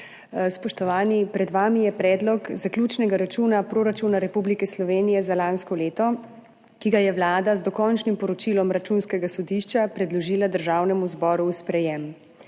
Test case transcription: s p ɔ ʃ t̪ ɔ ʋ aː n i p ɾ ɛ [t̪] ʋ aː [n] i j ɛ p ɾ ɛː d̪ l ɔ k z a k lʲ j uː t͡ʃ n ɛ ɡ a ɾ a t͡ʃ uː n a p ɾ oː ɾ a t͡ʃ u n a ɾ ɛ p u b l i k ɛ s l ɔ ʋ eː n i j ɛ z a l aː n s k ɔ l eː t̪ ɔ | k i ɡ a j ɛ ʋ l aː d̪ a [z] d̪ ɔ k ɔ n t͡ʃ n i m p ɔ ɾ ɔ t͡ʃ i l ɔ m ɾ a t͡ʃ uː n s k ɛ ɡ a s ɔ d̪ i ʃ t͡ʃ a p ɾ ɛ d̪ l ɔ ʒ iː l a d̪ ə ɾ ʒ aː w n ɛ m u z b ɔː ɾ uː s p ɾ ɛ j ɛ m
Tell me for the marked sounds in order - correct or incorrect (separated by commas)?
incorrect, incorrect, correct